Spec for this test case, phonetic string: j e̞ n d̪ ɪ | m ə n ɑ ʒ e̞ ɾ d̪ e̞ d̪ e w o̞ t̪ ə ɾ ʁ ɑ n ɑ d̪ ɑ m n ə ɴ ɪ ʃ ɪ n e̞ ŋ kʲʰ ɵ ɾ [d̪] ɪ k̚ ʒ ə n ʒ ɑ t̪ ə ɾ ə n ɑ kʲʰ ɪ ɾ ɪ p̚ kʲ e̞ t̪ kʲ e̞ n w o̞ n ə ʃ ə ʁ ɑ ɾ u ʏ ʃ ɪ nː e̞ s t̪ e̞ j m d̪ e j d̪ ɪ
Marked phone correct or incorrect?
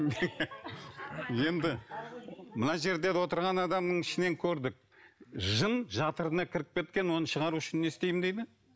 correct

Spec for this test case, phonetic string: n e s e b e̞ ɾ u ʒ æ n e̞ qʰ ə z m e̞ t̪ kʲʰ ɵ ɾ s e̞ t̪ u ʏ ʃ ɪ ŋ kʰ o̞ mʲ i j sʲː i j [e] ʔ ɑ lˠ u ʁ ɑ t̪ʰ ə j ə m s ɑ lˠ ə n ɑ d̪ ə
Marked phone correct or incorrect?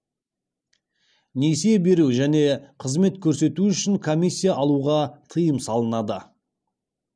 incorrect: a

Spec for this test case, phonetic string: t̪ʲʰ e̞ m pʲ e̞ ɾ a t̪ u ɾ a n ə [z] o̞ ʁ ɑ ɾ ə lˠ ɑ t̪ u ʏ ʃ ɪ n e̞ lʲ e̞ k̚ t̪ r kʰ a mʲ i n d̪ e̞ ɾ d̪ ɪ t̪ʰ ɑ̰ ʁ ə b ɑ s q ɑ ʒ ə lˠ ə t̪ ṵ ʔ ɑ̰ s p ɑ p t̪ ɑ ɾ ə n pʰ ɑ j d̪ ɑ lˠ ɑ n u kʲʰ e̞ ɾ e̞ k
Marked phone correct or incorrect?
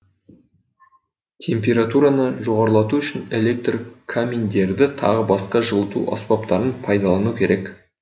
incorrect: ʒ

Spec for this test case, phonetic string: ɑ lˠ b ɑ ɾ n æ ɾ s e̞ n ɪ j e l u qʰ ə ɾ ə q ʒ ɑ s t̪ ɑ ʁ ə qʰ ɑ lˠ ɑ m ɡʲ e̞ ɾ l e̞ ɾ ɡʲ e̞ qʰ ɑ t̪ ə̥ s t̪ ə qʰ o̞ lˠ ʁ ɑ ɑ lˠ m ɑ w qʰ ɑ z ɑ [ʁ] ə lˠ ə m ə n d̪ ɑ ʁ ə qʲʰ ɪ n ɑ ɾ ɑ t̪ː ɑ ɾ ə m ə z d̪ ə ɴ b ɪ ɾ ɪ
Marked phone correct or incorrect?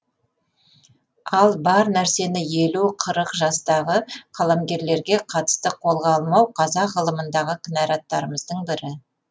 correct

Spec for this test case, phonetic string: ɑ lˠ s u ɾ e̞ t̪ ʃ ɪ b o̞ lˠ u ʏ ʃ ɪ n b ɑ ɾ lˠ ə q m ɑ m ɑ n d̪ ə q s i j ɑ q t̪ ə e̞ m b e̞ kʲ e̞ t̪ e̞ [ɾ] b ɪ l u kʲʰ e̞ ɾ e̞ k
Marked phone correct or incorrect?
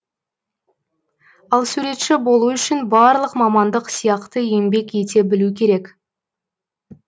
incorrect: none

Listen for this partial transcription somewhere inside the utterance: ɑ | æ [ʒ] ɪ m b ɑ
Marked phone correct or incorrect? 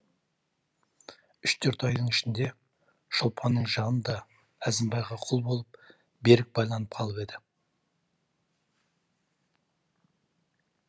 incorrect: z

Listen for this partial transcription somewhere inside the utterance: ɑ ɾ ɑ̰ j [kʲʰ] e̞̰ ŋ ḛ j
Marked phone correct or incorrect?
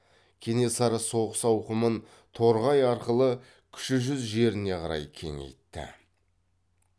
correct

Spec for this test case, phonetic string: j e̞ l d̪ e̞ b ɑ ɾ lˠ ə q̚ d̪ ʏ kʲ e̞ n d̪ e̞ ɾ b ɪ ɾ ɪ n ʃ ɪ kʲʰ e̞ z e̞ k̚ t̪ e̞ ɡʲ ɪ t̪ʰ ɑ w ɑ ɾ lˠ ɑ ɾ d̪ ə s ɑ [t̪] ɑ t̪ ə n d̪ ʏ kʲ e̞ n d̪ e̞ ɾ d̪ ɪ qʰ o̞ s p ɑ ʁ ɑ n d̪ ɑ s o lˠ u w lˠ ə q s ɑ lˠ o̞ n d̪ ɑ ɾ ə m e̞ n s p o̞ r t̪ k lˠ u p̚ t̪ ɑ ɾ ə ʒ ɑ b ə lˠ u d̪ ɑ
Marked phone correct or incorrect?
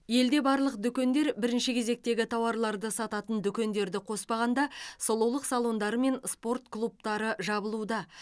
correct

